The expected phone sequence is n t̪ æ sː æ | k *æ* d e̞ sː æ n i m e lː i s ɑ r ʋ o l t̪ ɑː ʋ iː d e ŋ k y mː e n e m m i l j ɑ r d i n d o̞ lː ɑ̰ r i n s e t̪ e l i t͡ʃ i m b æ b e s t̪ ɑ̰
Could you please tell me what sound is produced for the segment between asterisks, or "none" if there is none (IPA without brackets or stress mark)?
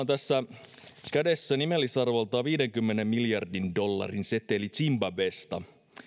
æ